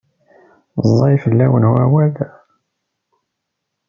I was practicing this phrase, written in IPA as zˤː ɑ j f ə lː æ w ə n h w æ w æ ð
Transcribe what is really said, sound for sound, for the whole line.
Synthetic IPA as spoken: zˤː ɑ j f ə lː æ w ə n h u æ w æ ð

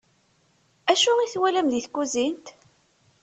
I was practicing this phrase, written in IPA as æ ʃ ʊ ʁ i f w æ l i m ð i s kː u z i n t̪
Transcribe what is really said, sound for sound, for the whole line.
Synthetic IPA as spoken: æ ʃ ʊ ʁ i θ w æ l æ m ð i θ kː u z i n t̪

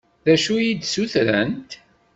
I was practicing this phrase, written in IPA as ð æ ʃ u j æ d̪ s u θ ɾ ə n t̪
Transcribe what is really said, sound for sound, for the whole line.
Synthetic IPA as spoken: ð æ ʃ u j i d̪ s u θ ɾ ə n t̪

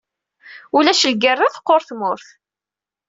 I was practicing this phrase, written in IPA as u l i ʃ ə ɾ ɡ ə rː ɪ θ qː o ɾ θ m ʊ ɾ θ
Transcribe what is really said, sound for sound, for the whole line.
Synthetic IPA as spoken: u l æ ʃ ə l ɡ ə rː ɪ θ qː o ɾ θ m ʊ ɾ θ

